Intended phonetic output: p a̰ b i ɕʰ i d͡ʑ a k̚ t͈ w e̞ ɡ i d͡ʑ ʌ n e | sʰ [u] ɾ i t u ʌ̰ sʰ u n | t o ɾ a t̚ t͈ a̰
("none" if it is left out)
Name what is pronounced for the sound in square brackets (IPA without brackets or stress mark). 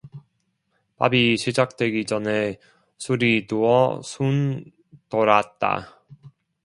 u